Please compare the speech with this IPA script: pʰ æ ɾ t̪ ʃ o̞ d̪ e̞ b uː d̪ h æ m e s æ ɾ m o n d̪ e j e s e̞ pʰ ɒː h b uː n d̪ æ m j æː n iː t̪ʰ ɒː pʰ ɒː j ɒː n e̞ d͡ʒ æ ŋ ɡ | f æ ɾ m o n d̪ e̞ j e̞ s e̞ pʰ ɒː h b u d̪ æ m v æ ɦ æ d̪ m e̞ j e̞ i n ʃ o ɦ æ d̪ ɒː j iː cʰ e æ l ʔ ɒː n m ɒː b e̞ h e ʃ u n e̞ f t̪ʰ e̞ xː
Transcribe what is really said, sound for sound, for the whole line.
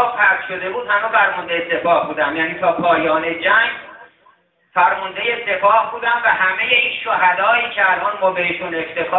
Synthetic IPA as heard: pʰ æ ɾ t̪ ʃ o̞ d̪ e̞ b uː d̪ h æ m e f æ ɾ m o n d̪ e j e s e̞ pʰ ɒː h b uː d̪ æ m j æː n iː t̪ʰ ɒː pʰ ɒː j ɒː n e̞ d͡ʒ æ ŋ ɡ | f æ ɾ m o n d̪ e̞ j e̞ s e̞ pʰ ɒː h b uː d̪ æ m v æ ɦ æ m e̞ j e̞ i n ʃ o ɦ æ d̪ ɒː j iː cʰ e æ l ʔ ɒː n m ɒː b e̞ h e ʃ u n e̞ f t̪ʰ e̞ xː